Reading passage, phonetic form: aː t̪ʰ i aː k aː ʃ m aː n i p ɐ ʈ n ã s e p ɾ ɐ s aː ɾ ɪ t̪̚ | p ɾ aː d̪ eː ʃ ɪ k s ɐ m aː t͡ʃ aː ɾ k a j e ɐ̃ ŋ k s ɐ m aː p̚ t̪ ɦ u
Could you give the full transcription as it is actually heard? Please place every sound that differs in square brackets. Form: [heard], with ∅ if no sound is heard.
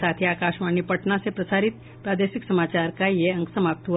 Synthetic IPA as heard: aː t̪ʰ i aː k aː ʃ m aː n i p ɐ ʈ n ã s e p ɾ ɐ s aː ɾ ɪ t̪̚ | p ɾ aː d̪ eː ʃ ɪ k s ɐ m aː t͡ʃ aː ɾ k a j e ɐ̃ ŋ k s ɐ m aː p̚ t̪ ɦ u